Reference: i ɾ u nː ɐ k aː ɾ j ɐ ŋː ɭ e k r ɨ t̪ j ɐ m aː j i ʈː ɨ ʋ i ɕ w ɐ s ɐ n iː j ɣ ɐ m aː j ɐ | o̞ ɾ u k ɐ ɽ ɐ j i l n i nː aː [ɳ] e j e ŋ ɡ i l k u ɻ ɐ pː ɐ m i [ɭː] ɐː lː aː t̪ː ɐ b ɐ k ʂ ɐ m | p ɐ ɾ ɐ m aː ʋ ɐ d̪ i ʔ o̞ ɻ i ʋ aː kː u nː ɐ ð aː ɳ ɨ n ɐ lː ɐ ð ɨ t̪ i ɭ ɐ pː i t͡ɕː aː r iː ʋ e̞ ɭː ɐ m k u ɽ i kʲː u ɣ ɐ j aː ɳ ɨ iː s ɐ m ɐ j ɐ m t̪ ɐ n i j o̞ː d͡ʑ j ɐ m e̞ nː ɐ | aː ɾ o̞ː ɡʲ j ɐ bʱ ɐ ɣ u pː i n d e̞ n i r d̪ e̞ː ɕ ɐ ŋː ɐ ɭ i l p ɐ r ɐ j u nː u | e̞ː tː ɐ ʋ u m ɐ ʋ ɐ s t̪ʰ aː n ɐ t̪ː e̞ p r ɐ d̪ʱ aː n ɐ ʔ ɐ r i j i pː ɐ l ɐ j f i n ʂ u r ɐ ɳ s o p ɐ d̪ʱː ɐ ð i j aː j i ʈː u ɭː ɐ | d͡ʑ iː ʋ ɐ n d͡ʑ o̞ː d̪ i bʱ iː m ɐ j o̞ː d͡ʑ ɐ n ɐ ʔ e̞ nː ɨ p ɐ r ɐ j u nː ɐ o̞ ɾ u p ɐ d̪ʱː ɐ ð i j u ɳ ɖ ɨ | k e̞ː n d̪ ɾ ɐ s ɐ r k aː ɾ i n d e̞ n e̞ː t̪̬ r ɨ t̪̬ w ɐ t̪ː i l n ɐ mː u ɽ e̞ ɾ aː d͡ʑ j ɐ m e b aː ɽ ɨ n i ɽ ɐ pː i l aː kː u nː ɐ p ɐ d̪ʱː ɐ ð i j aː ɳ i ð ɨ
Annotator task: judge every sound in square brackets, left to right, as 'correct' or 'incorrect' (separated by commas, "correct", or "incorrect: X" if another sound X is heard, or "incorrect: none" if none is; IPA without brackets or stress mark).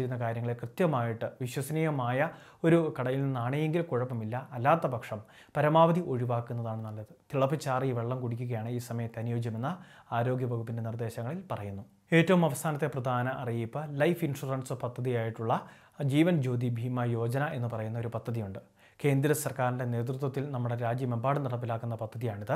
correct, incorrect: lː